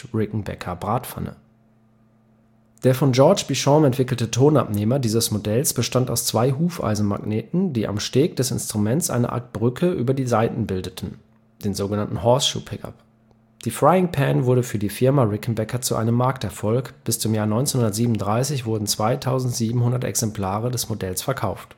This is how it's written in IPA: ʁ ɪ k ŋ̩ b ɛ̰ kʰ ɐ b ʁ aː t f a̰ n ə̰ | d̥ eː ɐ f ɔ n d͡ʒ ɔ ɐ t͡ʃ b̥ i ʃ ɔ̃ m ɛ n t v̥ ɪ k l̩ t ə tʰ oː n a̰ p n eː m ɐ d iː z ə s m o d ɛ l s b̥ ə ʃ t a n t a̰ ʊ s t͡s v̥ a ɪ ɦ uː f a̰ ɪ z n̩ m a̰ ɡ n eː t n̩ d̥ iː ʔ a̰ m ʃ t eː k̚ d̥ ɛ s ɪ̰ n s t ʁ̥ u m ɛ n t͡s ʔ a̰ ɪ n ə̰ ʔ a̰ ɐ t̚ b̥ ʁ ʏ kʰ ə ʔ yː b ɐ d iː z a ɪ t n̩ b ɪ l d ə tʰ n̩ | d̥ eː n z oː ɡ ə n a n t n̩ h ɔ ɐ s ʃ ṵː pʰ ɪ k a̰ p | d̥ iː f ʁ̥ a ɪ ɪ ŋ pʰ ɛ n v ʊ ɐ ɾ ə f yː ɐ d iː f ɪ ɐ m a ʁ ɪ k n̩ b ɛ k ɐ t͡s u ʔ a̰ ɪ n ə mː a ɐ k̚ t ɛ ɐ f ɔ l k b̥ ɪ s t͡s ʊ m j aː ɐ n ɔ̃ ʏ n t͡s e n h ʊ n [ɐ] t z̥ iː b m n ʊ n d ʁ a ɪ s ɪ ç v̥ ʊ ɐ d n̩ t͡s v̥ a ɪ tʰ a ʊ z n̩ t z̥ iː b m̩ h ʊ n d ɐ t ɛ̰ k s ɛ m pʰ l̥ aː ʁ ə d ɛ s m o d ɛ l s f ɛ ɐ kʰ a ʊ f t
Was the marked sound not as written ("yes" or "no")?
no